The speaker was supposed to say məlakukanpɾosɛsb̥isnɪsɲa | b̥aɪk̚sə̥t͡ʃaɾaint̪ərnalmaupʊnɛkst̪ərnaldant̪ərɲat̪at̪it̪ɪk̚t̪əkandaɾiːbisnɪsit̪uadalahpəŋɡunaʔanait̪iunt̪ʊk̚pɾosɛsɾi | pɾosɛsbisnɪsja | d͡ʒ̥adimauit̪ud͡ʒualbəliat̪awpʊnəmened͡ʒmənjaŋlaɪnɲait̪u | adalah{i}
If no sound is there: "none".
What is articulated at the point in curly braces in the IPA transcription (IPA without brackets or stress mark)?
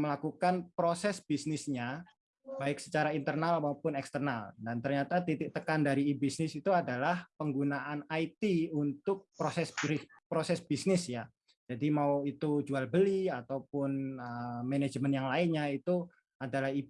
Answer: i